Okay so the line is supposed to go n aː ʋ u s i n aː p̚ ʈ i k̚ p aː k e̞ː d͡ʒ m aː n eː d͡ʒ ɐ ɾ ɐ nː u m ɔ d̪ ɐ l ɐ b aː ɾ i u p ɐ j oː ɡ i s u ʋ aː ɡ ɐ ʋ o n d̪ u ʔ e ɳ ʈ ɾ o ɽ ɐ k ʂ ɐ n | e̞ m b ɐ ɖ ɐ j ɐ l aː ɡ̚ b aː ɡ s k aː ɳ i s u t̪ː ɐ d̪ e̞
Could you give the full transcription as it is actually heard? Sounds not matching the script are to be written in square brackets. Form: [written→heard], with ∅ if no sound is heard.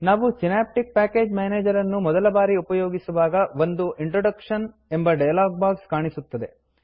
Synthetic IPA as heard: n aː ʋ u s i n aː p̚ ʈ i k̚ p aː k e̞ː d͡ʒ m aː n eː d͡ʒ ɐ ɾ ɐ nː u m ɔ d̪ ɐ l ɐ b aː ɾ i u p ɐ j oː ɡ i s u ʋ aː ɡ ɐ ʋ o n d̪ u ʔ [e→i] ɳ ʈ ɾ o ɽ ɐ k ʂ ɐ n | e̞ m b ɐ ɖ ɐ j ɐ l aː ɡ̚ b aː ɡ s k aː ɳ i s u t̪ː ɐ d̪ e̞